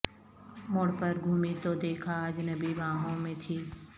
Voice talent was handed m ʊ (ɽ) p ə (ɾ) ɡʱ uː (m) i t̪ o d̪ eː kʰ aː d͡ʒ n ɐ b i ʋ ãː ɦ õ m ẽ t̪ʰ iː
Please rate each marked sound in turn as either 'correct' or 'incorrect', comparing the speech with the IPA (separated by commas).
correct, correct, correct